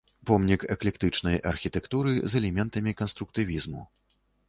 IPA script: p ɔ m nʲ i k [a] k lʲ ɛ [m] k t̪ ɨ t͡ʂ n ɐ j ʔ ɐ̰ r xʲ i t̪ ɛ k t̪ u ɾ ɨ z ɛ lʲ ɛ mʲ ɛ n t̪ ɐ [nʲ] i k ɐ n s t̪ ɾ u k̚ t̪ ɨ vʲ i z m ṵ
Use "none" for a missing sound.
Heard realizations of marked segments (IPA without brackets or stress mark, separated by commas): ɛ, none, mʲ